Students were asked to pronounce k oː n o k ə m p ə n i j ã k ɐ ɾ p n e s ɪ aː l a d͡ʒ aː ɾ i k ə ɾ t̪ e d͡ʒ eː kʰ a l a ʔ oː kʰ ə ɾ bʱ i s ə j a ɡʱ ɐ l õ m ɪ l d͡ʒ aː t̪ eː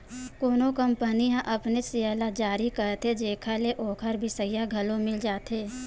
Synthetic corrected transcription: k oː n o k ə m p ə n i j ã ʔ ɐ p n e s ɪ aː l a d͡ʒ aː ɾ i k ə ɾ t̪ e d͡ʒ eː kʰ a l e ʔ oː kʰ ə ɾ bʱ i s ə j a ɡʱ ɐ l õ m ɪ l d͡ʒ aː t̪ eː